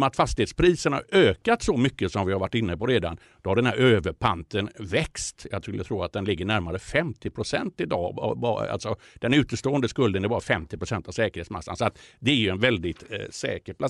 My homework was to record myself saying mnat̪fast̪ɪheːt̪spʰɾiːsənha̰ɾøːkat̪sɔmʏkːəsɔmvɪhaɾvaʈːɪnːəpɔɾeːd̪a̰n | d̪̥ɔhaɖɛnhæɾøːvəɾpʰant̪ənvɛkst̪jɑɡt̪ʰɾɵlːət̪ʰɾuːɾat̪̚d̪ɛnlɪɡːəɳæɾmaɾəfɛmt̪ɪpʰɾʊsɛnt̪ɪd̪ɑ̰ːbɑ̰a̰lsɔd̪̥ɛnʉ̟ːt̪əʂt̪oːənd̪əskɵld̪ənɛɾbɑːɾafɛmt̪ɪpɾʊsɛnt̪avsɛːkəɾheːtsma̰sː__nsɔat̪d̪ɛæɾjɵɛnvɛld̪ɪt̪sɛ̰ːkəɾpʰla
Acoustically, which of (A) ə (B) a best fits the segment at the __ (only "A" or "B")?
B